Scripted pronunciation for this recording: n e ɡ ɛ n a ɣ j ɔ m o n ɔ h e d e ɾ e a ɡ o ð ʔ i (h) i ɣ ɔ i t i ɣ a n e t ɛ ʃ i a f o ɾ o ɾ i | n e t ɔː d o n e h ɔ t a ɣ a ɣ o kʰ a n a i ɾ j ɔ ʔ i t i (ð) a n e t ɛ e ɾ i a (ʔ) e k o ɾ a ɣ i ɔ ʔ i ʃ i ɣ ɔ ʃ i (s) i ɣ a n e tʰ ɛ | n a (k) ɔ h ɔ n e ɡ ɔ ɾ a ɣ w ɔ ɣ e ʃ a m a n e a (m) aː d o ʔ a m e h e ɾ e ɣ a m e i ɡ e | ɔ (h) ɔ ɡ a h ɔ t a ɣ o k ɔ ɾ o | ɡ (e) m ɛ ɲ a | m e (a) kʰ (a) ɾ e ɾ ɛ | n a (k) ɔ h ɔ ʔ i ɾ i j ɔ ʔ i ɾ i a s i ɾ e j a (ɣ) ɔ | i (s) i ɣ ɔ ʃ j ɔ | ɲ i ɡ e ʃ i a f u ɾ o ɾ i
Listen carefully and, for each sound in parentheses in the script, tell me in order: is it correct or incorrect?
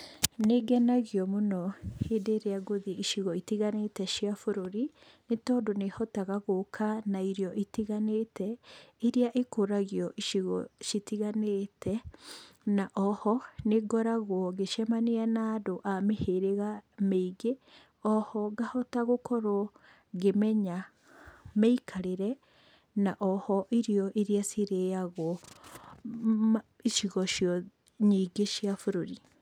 incorrect, incorrect, correct, incorrect, incorrect, incorrect, correct, correct, incorrect, correct, incorrect, correct, incorrect

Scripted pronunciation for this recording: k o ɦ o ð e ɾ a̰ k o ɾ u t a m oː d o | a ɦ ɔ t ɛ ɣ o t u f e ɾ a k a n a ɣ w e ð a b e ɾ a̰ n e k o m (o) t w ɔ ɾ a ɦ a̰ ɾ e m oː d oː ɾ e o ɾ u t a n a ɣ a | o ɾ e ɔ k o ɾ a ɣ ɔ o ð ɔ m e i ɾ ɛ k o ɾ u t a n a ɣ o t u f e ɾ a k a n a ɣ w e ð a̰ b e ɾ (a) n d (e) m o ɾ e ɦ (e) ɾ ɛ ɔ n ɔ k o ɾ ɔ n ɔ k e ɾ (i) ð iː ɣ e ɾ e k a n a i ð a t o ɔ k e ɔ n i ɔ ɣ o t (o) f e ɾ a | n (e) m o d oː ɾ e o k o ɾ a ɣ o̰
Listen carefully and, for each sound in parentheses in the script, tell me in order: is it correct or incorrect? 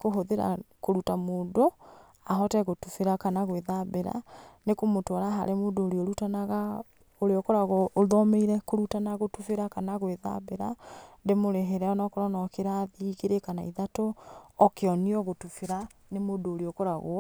correct, correct, correct, correct, incorrect, incorrect, correct

